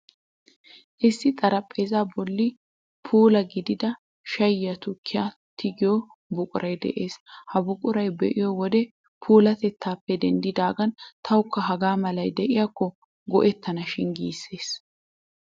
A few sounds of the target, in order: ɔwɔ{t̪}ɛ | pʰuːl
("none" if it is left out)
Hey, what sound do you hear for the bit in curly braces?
d̪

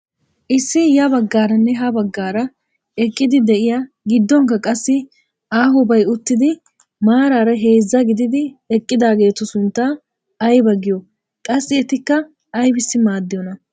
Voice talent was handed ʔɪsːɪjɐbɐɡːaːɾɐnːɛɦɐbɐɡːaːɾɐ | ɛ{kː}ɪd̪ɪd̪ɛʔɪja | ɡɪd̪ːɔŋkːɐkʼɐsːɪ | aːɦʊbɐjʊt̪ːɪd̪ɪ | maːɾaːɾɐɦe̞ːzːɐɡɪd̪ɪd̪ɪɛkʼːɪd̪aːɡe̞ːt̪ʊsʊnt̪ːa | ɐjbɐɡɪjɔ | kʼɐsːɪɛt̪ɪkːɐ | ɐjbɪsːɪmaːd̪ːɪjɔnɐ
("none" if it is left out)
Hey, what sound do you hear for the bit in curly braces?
kʼː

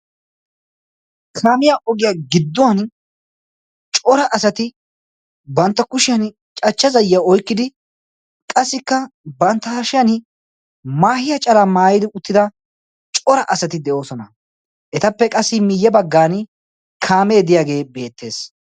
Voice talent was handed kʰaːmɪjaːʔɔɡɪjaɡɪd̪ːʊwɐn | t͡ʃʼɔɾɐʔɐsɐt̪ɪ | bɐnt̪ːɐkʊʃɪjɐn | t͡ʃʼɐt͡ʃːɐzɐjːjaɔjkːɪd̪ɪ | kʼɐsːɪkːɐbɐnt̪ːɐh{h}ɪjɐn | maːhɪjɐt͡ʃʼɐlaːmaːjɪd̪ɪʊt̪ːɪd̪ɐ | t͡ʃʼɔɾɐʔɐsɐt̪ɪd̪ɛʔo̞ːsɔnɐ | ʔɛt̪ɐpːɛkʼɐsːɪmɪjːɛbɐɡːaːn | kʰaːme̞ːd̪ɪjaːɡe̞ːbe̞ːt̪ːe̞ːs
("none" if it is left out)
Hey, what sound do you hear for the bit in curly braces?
ʃ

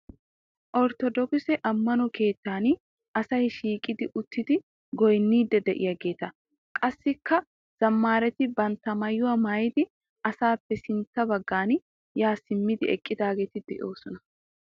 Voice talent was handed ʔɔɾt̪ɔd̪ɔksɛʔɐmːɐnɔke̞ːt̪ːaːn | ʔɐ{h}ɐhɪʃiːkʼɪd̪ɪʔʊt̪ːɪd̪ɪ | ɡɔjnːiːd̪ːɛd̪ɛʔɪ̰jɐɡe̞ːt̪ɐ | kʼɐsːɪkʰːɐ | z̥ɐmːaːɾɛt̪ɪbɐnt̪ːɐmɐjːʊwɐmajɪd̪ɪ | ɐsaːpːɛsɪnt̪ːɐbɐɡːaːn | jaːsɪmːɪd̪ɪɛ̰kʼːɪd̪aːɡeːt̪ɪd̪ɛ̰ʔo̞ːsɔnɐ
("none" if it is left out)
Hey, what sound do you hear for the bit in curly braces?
s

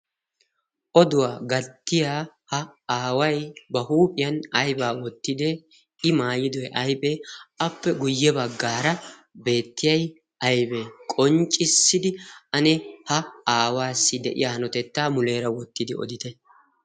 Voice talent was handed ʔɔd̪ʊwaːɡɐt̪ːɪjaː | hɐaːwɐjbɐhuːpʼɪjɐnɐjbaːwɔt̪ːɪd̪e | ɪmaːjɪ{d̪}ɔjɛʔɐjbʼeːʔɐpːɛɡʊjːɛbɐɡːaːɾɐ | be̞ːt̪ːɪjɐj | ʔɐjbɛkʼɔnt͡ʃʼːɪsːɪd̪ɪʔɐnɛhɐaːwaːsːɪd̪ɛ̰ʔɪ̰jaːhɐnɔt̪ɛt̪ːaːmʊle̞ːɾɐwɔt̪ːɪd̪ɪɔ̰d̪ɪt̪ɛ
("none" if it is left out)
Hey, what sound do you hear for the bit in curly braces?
d̪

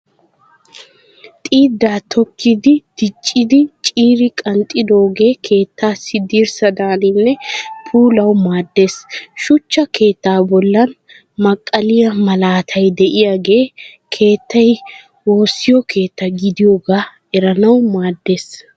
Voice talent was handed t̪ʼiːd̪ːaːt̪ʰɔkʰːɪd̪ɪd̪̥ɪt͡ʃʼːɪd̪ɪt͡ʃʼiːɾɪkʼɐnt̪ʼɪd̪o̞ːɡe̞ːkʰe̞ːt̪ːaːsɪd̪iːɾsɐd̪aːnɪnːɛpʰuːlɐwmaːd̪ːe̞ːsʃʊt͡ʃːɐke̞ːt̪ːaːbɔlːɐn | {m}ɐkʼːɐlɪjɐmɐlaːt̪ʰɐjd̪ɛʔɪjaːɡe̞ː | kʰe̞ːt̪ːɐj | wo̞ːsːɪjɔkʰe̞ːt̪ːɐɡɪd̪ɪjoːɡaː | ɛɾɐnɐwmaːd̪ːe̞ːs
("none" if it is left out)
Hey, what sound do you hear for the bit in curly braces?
m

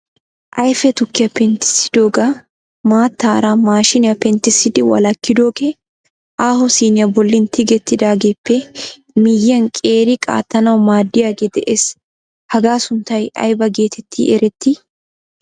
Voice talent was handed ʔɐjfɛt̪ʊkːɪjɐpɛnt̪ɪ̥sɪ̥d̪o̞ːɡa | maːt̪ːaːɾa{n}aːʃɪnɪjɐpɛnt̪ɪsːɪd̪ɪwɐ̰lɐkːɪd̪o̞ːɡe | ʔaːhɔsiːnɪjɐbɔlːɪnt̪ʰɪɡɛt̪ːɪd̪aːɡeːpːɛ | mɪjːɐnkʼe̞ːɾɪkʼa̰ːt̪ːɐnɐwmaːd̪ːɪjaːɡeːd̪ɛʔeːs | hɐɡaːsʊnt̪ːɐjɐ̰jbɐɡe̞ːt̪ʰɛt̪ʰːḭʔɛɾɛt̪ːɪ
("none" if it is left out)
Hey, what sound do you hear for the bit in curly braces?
m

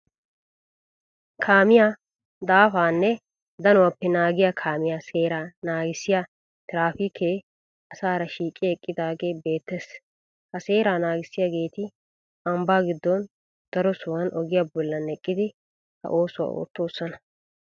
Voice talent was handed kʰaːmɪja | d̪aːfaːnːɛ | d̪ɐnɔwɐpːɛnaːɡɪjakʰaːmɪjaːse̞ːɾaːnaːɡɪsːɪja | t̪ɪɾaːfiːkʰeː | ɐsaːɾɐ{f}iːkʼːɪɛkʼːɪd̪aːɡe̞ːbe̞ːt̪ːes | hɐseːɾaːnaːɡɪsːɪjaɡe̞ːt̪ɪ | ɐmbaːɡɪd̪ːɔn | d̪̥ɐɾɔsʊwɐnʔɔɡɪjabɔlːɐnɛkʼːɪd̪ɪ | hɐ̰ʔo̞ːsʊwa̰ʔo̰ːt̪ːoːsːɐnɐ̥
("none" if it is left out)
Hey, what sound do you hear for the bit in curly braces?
ʃ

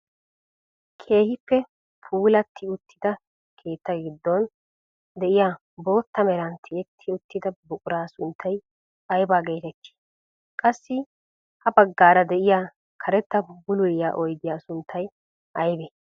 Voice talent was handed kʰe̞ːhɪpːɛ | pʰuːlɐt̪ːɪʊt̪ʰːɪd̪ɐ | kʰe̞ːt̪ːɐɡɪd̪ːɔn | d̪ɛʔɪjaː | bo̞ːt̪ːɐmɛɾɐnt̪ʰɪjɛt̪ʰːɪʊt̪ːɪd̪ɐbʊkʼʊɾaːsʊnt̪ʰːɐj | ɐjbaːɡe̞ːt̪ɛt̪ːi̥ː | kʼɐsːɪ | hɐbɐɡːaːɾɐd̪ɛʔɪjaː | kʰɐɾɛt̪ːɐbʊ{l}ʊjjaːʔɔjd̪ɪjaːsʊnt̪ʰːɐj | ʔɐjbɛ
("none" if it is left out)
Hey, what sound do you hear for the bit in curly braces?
l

